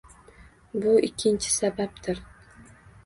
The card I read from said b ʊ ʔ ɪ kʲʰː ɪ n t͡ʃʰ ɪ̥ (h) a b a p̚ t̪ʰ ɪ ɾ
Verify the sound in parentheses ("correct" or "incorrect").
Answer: incorrect